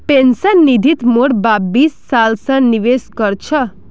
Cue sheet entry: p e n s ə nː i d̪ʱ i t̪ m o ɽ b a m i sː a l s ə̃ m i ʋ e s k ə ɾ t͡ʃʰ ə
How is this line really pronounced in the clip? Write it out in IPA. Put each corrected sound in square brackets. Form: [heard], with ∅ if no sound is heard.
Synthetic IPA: p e n s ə nː i d̪ʱ i t̪ m o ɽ b a [b] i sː a l s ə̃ [n] i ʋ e s k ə ɾ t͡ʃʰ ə